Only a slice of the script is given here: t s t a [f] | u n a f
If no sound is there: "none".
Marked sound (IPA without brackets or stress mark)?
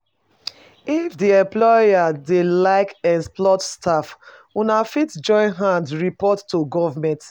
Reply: f